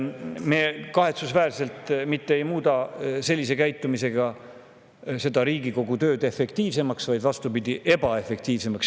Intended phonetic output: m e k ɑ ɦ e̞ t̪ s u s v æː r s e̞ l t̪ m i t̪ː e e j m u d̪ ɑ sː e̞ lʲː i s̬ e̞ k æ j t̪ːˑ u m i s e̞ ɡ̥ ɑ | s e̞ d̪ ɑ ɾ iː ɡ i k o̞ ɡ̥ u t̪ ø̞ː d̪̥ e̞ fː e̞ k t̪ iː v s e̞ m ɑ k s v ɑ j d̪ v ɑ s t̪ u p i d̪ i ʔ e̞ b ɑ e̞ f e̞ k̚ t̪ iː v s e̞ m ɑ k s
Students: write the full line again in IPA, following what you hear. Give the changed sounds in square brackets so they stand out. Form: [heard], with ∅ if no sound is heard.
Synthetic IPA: m e k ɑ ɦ e̞ t̪ s u s v æː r s e̞ l t̪ m i t̪ː e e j m [uː] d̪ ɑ [s] e̞ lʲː i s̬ e̞ k æ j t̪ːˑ u m i s e̞ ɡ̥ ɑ | s e̞ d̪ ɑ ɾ iː ɡ i k o̞ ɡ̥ u t̪ ø̞ː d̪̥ e̞ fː e̞ k t̪ iː v s e̞ m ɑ k s v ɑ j d̪ v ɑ s t̪ u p i d̪ i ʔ e̞ b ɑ e̞ f e̞ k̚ t̪ iː v s e̞ m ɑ k s